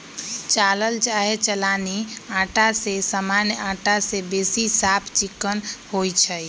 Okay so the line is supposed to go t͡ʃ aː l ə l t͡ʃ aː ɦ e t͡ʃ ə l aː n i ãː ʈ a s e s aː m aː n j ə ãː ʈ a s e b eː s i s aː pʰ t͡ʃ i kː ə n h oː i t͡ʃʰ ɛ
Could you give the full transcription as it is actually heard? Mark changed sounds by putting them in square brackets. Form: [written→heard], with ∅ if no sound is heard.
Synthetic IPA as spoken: t͡ʃ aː l ə l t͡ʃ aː ɦ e t͡ʃ ə l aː n i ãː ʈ a s e s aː m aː n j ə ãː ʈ a s e b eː s i s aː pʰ t͡ʃ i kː ə n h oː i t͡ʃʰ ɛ